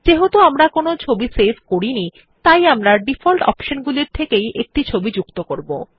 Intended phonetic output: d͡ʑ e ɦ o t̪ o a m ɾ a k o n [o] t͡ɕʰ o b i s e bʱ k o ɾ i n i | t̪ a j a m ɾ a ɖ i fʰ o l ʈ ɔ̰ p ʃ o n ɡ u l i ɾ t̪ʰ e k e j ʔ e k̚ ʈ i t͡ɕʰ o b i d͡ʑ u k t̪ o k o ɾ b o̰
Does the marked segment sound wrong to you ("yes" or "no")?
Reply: no